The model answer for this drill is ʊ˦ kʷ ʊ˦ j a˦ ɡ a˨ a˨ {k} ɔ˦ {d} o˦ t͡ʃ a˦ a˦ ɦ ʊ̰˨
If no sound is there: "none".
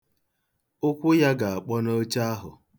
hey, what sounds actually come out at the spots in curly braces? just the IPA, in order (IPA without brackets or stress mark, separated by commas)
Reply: k͡p, n